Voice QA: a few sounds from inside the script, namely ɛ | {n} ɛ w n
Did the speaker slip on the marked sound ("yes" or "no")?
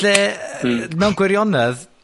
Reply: yes